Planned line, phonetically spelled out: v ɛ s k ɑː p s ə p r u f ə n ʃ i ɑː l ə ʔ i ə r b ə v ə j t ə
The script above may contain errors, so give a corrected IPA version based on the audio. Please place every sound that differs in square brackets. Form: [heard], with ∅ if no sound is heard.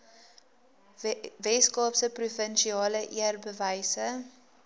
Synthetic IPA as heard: v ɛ s k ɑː p s ə p r u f ə n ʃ i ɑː l ə ʔ i ə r b ə v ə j [s] ə